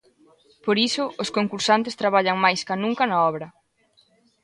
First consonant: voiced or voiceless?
voiceless